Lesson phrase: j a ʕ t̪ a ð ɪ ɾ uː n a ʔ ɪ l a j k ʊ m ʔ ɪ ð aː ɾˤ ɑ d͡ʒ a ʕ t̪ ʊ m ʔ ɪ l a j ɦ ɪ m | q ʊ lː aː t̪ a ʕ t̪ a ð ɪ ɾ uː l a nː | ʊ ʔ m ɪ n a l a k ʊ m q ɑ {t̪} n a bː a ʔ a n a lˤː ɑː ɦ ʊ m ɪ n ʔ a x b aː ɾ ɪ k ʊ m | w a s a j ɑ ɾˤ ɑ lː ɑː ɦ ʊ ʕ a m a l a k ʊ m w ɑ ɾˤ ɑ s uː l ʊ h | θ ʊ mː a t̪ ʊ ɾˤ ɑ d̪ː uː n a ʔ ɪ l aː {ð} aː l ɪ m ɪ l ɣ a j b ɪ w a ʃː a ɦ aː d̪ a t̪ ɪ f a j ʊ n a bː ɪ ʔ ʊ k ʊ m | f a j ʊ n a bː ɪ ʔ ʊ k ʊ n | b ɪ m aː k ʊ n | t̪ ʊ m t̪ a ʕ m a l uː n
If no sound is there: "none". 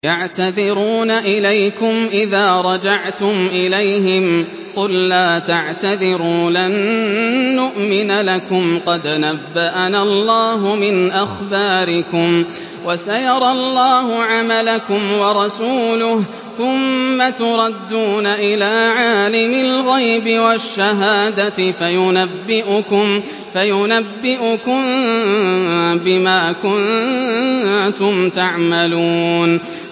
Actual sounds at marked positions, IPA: d̪, ʕ

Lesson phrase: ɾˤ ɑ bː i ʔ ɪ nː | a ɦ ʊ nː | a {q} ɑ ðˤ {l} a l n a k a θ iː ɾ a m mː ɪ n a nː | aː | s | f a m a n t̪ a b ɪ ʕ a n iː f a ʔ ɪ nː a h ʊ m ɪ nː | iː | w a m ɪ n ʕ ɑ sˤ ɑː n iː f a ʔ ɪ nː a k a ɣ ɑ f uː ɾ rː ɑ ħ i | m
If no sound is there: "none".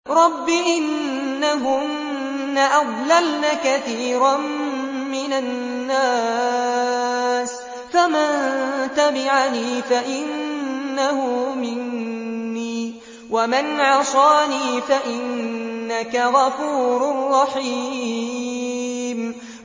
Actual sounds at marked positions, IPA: ʔ, l

